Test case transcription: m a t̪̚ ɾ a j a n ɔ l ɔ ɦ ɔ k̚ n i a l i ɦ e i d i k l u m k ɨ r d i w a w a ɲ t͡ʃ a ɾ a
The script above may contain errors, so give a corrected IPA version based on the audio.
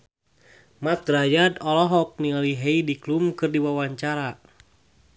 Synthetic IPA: m a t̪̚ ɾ a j a d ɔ l ɔ ɦ ɔ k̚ n i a l i ɦ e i d i k l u m k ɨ r d i w a w a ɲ t͡ʃ a ɾ a